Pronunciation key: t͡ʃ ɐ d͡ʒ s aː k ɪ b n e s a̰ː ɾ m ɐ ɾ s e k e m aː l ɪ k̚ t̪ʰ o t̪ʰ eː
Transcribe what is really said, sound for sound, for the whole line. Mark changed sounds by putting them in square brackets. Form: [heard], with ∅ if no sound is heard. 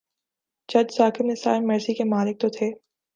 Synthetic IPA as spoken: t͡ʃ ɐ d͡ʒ s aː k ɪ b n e s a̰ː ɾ m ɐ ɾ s [i] k e m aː l ɪ k̚ [t̪] o t̪ʰ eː